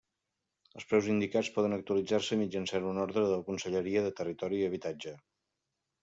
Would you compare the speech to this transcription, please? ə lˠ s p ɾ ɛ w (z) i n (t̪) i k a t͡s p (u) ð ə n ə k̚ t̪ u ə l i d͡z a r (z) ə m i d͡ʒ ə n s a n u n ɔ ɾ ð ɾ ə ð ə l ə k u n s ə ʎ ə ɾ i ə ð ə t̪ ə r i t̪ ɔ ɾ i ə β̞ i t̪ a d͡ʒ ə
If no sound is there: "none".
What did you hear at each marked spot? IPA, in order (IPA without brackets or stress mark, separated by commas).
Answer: z, d̪, ɔ, s